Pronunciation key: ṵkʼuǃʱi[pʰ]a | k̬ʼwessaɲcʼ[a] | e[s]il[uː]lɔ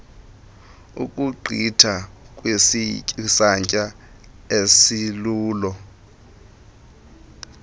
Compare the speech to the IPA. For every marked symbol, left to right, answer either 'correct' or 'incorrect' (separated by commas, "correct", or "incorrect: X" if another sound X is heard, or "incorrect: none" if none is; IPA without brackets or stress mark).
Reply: incorrect: tʰ, correct, correct, correct